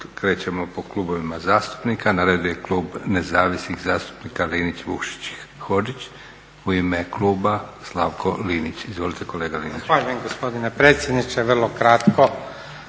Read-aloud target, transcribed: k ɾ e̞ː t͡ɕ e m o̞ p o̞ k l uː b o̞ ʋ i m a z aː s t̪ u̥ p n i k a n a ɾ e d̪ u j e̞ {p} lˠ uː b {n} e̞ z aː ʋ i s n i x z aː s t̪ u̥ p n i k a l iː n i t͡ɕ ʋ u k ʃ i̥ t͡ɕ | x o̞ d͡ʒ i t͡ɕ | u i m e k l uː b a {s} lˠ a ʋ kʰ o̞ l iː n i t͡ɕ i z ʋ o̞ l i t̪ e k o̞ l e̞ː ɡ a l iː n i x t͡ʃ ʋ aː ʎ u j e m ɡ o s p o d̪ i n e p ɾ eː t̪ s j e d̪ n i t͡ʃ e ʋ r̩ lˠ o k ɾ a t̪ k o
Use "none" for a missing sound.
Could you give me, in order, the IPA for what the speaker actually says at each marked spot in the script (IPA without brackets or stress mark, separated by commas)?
k, n, s